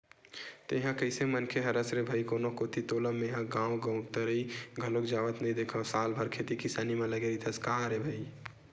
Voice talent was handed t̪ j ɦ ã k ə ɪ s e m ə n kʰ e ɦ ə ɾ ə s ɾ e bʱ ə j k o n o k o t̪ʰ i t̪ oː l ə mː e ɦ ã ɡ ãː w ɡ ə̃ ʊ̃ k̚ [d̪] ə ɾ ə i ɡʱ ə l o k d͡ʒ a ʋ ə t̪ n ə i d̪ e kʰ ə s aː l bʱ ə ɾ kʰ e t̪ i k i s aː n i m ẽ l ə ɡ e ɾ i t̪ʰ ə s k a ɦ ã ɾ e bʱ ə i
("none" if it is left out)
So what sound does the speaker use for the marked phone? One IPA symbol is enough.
t̪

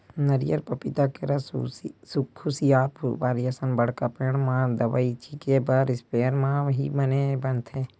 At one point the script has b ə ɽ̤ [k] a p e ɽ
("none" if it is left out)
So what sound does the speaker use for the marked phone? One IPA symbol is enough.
k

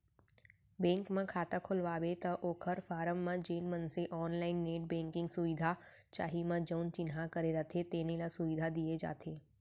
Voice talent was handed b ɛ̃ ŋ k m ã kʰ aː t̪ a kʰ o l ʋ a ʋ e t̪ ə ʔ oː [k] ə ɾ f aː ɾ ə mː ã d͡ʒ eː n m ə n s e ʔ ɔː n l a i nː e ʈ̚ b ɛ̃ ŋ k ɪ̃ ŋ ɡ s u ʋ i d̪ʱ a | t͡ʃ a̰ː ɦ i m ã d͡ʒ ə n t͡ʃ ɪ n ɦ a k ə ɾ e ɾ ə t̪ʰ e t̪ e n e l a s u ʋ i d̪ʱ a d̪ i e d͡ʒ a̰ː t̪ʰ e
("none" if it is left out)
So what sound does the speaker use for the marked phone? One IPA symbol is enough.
kʰ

